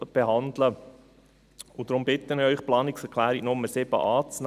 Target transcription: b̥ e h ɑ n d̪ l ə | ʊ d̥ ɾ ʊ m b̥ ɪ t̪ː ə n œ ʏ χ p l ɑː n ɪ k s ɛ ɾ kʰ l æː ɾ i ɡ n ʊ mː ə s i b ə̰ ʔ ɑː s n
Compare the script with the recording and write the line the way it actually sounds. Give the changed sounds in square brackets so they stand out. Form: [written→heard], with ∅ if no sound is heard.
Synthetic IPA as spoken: b̥ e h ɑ n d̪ l ə | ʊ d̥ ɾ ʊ m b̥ ɪ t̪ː ə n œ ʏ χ p l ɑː n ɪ k s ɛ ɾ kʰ l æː ɾ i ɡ n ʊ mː ə s [i→ɪ] b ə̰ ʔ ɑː [s→t͡s] n